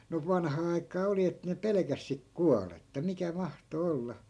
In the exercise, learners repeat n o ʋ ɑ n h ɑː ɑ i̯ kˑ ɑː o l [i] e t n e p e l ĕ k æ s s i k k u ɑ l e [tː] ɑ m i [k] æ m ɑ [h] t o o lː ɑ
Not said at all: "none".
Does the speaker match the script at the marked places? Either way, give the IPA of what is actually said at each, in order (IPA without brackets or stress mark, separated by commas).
i, tː, k, h